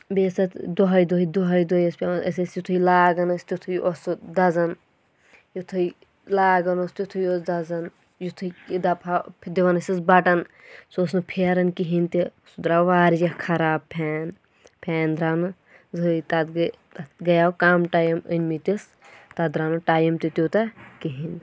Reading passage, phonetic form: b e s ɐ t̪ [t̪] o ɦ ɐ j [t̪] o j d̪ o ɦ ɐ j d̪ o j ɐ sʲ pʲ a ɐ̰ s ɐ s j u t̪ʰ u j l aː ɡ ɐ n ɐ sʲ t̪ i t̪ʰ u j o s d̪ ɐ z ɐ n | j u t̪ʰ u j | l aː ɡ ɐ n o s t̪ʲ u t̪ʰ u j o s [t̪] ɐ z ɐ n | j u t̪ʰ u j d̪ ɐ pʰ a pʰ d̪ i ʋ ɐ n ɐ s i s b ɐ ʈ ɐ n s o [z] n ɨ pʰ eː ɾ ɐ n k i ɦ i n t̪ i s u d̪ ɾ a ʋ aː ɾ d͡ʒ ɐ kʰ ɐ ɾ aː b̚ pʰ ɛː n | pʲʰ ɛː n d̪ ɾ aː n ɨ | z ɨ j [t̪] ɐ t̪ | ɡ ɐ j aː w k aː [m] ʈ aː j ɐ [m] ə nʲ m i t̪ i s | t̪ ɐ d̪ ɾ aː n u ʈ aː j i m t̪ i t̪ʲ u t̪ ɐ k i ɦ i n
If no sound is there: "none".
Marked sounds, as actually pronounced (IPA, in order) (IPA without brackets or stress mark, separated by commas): d̪, d̪, d̪, s, t̪, m, m